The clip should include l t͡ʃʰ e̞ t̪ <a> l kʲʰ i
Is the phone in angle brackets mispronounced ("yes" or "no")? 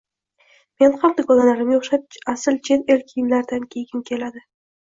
yes